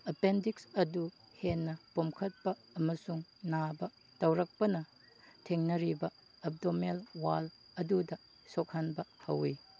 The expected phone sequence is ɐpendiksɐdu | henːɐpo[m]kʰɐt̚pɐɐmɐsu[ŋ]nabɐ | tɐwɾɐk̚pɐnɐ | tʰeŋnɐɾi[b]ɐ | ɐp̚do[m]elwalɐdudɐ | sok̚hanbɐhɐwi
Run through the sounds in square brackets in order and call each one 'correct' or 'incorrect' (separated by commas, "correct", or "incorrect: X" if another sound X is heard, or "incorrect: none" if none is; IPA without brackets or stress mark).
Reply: correct, correct, correct, correct